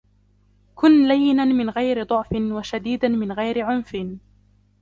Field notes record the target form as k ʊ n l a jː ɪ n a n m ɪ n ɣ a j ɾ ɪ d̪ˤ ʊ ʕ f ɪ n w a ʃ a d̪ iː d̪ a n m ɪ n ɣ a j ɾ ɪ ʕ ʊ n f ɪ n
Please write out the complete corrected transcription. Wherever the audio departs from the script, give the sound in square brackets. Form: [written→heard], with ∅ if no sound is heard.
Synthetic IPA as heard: k ʊ n l a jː ɪ n a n m ɪ n ɣ a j ɾ ɪ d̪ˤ ʊ ʕ f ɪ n w a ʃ a d̪ iː d̪ a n m ɪ n ɣ a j ɾ ɪ ʕ ʊ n f ɪ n